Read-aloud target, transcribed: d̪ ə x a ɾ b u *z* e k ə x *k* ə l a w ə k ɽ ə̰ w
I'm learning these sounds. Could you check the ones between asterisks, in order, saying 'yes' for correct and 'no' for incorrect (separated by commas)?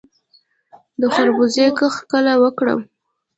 yes, yes